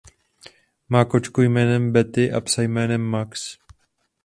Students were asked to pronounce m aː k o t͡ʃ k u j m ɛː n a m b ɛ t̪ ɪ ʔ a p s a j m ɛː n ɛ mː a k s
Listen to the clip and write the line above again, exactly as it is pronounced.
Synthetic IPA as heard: m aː k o t͡ʃ k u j m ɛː n ɛ m b ɛ t̪ ɪ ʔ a p s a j m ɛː n ɛ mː a k s